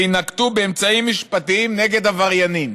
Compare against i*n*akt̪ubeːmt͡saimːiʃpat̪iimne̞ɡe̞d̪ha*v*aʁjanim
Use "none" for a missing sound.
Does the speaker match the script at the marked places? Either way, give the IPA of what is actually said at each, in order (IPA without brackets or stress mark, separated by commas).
n, v